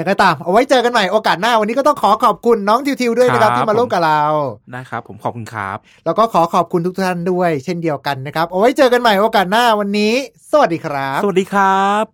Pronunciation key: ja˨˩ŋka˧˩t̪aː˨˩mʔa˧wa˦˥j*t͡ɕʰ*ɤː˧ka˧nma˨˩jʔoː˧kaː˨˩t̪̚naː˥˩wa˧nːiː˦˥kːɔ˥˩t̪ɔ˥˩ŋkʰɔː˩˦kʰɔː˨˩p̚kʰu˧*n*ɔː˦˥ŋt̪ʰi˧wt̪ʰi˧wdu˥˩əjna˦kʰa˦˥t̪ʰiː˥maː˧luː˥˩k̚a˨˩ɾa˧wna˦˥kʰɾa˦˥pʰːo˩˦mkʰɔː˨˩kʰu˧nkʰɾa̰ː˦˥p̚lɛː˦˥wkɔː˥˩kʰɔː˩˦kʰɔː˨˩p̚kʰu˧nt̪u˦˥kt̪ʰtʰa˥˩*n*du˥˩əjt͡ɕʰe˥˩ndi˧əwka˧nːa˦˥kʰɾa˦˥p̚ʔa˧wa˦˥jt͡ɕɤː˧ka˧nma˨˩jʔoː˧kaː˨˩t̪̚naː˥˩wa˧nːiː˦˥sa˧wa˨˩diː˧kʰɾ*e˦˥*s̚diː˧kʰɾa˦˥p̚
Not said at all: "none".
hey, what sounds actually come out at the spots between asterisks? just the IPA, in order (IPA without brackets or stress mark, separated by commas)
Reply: t͡ɕ, nː, n, a˦˥